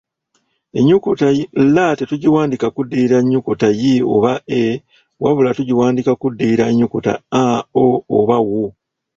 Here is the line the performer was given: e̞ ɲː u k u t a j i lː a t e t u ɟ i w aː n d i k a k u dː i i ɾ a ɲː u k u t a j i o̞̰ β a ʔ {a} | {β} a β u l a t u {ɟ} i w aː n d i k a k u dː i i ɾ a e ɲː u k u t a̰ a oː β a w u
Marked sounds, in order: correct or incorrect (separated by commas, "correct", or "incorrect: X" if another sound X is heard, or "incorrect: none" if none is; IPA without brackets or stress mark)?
incorrect: e, incorrect: w, correct